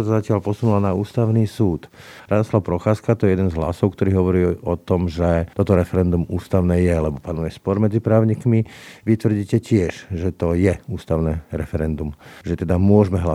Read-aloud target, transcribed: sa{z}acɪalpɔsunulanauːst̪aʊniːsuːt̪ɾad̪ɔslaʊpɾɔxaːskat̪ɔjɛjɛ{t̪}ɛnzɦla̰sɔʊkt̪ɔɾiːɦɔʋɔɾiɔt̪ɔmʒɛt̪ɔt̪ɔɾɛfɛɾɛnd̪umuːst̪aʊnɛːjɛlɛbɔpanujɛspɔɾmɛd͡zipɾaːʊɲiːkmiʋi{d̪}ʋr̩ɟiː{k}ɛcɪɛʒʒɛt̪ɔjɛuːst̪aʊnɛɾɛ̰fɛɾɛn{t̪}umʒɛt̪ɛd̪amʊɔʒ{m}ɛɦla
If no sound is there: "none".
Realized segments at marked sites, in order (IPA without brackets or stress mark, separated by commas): z, d̪, t̪, c, d̪, m